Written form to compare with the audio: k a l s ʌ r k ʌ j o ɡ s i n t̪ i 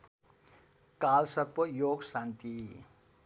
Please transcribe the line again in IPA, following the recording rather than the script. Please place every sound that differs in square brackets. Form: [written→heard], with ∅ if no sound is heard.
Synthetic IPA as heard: k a l s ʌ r [k→p] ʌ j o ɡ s [i→a] n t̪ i